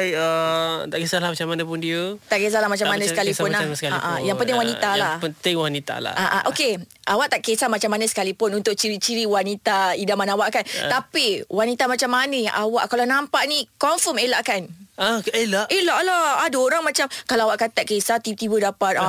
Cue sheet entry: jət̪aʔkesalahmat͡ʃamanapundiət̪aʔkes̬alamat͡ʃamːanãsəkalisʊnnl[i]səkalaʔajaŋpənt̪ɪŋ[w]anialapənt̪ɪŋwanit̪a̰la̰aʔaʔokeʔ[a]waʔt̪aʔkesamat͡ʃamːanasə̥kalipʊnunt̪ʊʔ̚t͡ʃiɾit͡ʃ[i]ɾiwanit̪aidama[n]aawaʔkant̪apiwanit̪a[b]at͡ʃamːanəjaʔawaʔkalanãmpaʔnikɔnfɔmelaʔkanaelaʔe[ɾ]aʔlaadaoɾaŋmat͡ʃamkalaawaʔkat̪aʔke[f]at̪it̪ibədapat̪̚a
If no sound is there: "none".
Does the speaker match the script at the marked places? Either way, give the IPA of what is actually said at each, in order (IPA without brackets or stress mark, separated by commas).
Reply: a, w, a, i, n, m, l, s